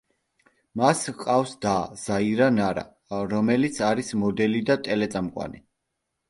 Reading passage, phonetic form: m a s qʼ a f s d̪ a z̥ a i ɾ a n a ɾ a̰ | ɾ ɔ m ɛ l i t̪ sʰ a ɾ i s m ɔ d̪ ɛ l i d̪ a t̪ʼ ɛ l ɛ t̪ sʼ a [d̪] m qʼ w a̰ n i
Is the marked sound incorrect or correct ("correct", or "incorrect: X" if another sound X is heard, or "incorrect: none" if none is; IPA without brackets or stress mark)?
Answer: incorrect: none